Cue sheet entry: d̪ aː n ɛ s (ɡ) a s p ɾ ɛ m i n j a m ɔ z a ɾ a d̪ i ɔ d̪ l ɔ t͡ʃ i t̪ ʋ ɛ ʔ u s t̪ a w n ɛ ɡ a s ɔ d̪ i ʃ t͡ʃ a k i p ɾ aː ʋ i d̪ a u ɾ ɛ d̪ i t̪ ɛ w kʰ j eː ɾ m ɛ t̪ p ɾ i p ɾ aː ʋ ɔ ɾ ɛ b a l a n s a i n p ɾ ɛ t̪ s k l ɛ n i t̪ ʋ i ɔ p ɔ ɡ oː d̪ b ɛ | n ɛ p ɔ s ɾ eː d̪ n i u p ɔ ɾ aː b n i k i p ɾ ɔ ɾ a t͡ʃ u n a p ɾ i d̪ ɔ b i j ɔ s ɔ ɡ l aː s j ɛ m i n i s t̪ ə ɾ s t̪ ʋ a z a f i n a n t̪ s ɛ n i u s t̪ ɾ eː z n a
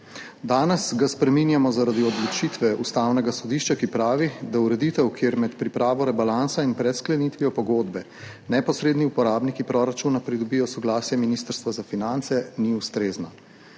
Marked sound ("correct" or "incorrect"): correct